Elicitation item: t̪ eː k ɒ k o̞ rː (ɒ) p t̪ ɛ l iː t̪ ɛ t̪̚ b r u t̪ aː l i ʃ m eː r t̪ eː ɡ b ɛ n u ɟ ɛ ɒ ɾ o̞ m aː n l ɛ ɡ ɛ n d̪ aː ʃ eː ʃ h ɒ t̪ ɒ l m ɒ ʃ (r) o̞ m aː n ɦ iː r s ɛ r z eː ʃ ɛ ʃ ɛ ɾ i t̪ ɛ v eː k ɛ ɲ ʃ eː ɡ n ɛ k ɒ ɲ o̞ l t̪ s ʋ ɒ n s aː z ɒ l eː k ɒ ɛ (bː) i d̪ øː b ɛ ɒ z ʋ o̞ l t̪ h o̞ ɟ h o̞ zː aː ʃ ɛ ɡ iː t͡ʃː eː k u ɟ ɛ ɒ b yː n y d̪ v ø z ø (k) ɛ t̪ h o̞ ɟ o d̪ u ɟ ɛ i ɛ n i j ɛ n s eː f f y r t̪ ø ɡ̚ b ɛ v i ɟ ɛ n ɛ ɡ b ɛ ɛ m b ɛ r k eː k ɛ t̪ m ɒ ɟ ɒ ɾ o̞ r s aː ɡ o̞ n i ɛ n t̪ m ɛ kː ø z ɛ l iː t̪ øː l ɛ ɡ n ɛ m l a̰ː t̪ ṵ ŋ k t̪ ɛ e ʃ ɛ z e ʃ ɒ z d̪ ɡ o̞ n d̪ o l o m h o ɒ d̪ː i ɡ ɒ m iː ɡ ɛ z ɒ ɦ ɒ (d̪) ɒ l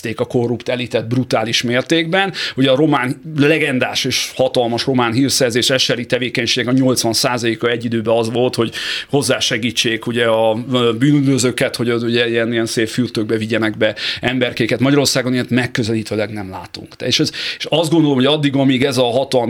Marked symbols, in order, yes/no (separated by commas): no, yes, no, yes, no